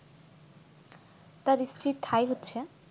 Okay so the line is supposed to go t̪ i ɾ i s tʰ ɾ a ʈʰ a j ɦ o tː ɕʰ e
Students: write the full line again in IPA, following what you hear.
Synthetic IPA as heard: t̪ a ɾ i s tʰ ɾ i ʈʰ a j ɦ o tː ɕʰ e